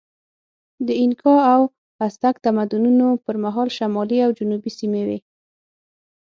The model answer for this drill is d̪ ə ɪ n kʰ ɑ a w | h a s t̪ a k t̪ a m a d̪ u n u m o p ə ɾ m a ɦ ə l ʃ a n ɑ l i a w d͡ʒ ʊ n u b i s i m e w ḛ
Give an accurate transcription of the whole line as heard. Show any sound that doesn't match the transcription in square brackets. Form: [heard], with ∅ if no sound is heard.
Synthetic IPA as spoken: d̪ ə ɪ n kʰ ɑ a w | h a s t̪ a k t̪ a m a d̪ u n u [n] o p ə ɾ m a ɦ [ɑ] l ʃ a [m] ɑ l i a w d͡ʒ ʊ n u b i s i m e w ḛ